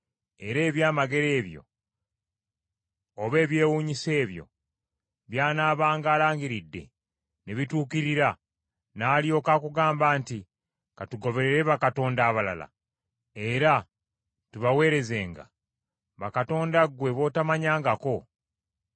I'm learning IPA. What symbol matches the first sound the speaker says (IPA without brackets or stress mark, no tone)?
e̞